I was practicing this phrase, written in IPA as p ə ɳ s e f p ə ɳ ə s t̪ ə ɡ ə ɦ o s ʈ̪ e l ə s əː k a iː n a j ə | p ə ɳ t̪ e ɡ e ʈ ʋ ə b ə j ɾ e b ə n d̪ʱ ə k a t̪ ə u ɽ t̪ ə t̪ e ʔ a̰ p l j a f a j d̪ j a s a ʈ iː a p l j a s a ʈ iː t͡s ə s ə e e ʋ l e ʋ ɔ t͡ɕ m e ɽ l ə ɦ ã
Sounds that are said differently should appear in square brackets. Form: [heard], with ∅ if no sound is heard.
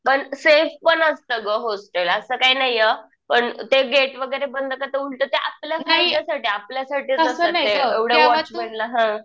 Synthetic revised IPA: p ə ɳ s e f p ə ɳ ə s t̪ ə ɡ ə ɦ o s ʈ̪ e l ə s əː k a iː n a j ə | p ə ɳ t̪ e ɡ e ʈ ʋ ə [ɡ] ə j ɾ e b ə n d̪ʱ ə k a t̪ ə u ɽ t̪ ə t̪ e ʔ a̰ p l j a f a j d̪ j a s a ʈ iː a p l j a s a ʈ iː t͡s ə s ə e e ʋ [ɽ] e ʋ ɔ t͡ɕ m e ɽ l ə ɦ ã

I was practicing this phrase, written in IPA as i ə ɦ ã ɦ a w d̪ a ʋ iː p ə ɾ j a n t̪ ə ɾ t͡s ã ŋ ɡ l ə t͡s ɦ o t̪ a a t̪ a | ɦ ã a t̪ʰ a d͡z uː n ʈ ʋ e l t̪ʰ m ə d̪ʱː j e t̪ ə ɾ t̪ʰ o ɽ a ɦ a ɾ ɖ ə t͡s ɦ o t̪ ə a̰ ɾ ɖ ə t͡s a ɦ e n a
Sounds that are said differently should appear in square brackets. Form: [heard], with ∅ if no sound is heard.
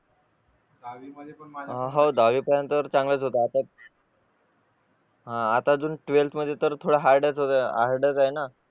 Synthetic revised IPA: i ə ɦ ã ɦ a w d̪ a ʋ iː p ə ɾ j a n t̪ ə ɾ t͡s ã ŋ ɡ l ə t͡s ɦ o t̪ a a t̪ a | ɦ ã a [t̪] a d͡z uː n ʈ ʋ e l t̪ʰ m ə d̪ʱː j e t̪ ə ɾ t̪ʰ o ɽ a ɦ a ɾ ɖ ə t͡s ɦ o t̪ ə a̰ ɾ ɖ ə t͡s a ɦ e n a

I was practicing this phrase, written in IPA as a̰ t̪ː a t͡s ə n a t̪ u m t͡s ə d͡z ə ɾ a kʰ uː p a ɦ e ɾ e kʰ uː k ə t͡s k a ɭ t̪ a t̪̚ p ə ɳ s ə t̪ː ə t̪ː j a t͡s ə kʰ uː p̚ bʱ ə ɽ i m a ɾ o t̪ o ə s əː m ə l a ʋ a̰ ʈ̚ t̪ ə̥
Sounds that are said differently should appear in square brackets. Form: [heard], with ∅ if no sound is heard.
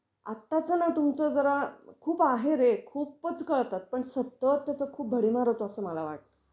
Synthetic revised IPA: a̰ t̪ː a t͡s ə n a t̪ u m t͡s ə d͡z ə ɾ a kʰ uː p a ɦ e ɾ e kʰ uː [p] ə t͡s k [ə] ɭ t̪ a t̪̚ p ə ɳ s ə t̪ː ə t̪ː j a t͡s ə kʰ uː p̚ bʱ ə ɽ i m a ɾ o t̪ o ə s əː m ə l a ʋ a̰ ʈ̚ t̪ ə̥

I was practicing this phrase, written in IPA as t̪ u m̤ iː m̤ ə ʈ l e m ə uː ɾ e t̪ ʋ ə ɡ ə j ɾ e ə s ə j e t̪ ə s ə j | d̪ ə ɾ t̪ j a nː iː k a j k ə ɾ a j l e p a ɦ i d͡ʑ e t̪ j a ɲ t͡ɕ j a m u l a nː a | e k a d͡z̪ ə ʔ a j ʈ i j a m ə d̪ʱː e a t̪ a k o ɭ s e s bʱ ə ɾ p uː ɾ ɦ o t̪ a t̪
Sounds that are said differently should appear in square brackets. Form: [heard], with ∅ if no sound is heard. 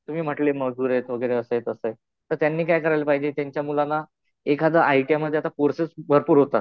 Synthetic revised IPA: t̪ u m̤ iː m̤ ə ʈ l e m ə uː ɾ e t̪ ʋ ə ɡ ə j ɾ e ə s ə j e t̪ ə s ə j | [t̪] ə ɾ t̪ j a nː iː k a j k ə ɾ a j l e p a ɦ i d͡ʑ e t̪ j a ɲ t͡ɕ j a m u l a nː a | e k a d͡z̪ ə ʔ a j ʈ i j a m ə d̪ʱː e a t̪ a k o [ɾ] s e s bʱ ə ɾ p uː ɾ ɦ o t̪ a t̪

